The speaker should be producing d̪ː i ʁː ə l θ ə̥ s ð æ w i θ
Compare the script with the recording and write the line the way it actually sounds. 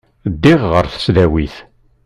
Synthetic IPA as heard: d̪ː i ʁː ə ɾ θ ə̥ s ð æ w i θ